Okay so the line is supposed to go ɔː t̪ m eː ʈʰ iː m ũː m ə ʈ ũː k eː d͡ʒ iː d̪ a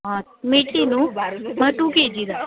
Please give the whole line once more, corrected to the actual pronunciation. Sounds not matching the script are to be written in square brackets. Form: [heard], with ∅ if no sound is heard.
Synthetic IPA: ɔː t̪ m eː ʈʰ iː [n] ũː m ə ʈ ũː k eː d͡ʒ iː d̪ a

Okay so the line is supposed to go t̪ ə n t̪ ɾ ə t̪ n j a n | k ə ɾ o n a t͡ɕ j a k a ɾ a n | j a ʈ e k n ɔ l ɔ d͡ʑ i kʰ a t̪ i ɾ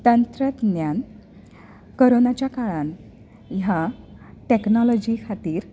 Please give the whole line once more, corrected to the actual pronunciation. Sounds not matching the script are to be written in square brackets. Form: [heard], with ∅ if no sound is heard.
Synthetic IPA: t̪ ə n t̪ ɾ ə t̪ n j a n | k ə ɾ o n a t͡ɕ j a k a [ɭ] a n | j a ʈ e k n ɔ l ɔ d͡ʑ i kʰ a t̪ [iː] ɾ

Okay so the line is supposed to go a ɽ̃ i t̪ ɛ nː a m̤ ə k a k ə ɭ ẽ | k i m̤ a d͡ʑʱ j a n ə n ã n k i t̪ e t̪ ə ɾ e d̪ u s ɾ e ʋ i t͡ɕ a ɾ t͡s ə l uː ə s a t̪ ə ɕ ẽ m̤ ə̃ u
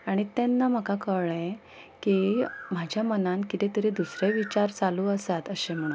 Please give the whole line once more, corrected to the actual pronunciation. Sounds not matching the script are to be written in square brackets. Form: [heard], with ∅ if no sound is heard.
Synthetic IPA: a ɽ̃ i t̪ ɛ nː a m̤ ə k a k ə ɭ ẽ | k i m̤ a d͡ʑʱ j a [m] ə n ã n k i t̪ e t̪ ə ɾ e d̪ u s ɾ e ʋ i t͡ɕ a ɾ t͡s [a] l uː ə s a t̪ ə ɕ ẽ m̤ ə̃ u

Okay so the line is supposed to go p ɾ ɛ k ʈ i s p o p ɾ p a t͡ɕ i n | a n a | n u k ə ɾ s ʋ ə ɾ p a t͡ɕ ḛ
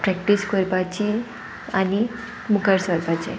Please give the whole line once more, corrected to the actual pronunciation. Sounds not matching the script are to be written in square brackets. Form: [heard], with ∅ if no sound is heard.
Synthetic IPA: p ɾ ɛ k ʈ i s [k] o [∅] ɾ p a t͡ɕ i [∅] | a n [i] | [m] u k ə ɾ s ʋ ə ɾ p a t͡ɕ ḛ

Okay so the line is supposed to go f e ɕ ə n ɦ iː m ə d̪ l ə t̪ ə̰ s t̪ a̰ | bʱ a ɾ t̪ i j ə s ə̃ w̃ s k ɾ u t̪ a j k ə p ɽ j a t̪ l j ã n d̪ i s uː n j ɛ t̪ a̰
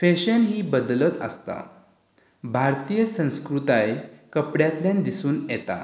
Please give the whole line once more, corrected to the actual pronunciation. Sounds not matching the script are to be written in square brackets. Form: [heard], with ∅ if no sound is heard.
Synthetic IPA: f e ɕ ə n ɦ iː [b] ə d̪ l ə t̪ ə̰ s t̪ a̰ | bʱ a ɾ t̪ i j ə s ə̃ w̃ s k ɾ u t̪ a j k ə p ɽ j a t̪ l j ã n d̪ i s uː n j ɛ t̪ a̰

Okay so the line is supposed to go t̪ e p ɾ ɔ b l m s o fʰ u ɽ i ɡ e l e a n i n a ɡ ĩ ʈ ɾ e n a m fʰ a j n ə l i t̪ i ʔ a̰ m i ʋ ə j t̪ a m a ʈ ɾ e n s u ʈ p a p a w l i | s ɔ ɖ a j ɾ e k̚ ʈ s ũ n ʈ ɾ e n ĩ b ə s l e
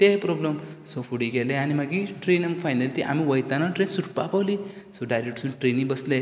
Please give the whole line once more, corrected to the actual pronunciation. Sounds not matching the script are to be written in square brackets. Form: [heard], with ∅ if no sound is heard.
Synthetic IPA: t̪ e p ɾ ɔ b l m s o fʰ u ɽ i ɡ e l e a n i [m] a ɡ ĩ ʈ ɾ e n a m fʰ a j n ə l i t̪ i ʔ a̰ m i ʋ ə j t̪ a [n] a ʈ ɾ e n s u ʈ p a p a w l i | s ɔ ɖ a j ɾ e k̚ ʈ s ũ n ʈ ɾ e n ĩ b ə s l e

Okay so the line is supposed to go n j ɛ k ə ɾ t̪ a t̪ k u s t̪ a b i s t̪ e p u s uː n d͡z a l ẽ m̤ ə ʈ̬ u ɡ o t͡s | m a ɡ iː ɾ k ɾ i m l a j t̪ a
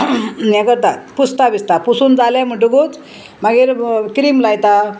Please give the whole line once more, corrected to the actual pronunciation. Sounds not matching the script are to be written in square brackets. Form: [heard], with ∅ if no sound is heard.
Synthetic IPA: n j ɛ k ə ɾ t̪ a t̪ [p] u s t̪ a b i s t̪ [a] p u s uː n d͡z a l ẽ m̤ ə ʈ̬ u ɡ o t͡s | m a ɡ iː ɾ k ɾ i m l a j t̪ a

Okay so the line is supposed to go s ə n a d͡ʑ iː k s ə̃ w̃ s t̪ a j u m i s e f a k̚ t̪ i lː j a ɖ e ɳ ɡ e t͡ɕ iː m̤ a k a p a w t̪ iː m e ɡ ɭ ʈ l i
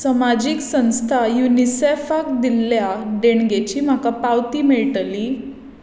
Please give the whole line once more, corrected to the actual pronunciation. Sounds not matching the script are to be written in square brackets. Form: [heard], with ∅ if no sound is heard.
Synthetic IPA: s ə [m] a d͡ʑ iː k s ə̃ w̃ s [t̪ʰ] a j u [n] i s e f a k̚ [d̪] i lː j a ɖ e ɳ ɡ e t͡ɕ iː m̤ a k a p a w t̪ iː m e [∅] ɭ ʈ l i

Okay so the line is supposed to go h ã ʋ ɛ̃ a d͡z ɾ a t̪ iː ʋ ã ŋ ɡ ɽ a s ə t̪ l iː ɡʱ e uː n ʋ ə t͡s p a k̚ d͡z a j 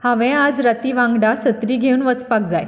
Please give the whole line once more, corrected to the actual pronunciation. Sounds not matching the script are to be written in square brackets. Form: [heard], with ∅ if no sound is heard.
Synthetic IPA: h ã ʋ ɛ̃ a d͡z ɾ a t̪ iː ʋ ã ŋ ɡ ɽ a s ə t̪ [ɾ] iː ɡʱ e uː n ʋ ə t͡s p a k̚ d͡z a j

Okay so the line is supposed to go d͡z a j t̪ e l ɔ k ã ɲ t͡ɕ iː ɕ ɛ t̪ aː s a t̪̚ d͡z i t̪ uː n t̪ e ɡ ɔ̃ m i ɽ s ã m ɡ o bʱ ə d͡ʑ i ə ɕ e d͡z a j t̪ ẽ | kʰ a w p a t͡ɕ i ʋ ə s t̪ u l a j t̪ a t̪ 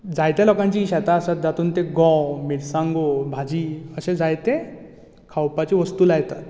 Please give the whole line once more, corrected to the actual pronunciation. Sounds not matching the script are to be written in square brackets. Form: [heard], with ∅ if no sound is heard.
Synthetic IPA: d͡z a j t̪ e l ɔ k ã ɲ t͡ɕ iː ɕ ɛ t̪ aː s a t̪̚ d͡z [a] t̪ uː n t̪ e ɡ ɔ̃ m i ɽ s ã [ŋ] ɡ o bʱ [a] d͡ʑ i ə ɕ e d͡z a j t̪ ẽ | kʰ a w p a t͡ɕ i ʋ ə s t̪ u l a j t̪ a t̪

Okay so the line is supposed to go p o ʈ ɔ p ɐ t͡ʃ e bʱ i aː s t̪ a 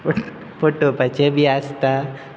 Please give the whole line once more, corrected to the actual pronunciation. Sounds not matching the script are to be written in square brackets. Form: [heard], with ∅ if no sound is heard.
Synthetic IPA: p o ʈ [o] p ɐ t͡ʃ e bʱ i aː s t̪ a

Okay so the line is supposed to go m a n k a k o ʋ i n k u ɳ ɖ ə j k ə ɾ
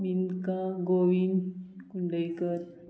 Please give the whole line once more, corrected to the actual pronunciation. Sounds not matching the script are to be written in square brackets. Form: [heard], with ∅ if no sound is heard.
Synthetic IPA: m [i] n k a [ɡ] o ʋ i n k u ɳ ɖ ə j k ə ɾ

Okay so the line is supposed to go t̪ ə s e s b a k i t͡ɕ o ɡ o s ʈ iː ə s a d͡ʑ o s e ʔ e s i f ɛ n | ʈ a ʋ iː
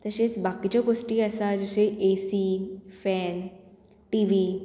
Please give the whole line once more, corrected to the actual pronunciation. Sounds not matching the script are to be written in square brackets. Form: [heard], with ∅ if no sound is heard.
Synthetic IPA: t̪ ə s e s b a k i t͡ɕ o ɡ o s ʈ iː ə s a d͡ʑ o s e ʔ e s i f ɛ n | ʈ [i] ʋ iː

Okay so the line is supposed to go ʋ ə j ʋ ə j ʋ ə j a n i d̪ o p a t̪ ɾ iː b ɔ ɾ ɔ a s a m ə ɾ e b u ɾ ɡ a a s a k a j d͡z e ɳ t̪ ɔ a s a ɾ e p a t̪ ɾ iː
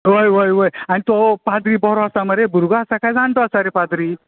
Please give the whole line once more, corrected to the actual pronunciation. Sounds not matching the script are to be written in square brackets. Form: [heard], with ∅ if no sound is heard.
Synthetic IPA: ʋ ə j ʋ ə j ʋ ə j a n i [t̪] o p a [d̪] ɾ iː b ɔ ɾ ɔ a s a m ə ɾ e b u ɾ ɡ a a s a k a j d͡z [a] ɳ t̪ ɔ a s a ɾ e p a [d̪] ɾ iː

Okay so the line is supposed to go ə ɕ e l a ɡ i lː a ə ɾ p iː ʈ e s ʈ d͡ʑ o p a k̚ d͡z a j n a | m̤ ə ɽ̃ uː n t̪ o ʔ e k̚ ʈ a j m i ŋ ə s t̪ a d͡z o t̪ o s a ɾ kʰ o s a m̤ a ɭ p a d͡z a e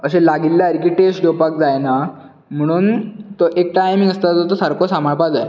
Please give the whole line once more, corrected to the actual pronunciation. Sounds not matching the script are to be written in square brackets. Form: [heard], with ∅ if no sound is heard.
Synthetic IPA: ə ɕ e l a ɡ i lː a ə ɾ [k] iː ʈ e s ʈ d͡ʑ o p a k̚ d͡z a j n a | m̤ ə ɽ̃ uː n t̪ o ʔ e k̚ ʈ a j m i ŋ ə s t̪ a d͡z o t̪ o s a ɾ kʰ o s a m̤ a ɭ p a d͡z a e

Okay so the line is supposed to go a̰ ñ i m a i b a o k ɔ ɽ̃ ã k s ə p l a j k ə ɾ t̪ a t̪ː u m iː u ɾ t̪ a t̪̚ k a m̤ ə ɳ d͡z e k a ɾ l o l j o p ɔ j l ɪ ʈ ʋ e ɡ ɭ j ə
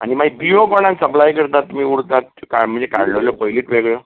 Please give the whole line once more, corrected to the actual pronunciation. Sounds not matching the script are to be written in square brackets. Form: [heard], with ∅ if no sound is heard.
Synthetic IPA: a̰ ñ i m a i b [i] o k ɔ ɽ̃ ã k s ə p l a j k ə ɾ t̪ a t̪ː u m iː u [ɽ] t̪ a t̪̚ k a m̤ ə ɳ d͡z e k a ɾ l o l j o p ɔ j l [i] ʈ ʋ e ɡ ɭ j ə

